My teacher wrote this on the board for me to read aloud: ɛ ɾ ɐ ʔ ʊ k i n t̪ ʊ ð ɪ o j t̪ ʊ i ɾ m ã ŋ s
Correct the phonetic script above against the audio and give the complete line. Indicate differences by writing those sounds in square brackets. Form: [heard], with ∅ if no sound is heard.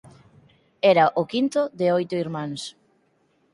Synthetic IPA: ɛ ɾ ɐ ʔ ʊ k i n t̪ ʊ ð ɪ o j t̪ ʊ i ɾ m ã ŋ s

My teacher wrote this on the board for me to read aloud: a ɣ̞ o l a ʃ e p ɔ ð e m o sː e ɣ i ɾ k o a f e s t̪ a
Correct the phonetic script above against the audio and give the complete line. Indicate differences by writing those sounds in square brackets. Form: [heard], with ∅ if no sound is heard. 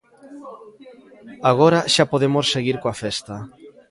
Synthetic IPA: a ɣ̞ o [ɾ] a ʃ [a] p [o] ð e m o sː e ɣ i ɾ k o a f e s t̪ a

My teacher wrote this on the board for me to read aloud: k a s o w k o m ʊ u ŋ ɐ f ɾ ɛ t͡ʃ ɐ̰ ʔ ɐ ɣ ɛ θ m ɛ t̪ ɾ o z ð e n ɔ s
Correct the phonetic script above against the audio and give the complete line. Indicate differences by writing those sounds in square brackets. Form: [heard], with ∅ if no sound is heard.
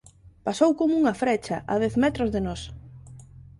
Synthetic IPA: [p] a s o w k o m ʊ u ŋ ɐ f ɾ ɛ t͡ʃ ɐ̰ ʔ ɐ [ð] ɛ θ m ɛ t̪ ɾ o z ð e n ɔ s

